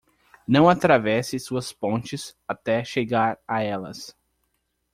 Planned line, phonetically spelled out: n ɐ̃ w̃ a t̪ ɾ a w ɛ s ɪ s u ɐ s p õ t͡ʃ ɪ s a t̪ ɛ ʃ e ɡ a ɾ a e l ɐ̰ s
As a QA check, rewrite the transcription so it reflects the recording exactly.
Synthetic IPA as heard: n ɐ̃ w̃ a t̪ ɾ a v ɛ s ɪ s u ɐ s p õ t͡ʃ ɪ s a t̪ ɛ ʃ e ɡ a ɾ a ɛ l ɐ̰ s